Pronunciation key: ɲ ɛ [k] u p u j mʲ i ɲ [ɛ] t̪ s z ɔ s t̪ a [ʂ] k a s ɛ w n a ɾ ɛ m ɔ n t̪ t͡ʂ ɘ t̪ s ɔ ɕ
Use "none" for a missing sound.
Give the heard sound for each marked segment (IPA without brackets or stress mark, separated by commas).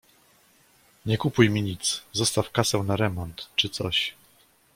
k, i, f